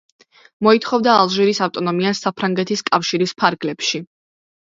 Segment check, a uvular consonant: present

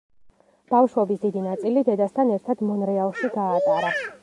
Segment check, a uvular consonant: absent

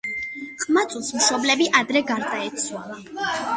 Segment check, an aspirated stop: absent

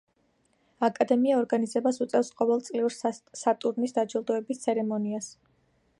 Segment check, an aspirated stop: absent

